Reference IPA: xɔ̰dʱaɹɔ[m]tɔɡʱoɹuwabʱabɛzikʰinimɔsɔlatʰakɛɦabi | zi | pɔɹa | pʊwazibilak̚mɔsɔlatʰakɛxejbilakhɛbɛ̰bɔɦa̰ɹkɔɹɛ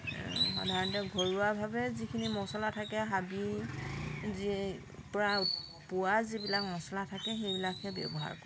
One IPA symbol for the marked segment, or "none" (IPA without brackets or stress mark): n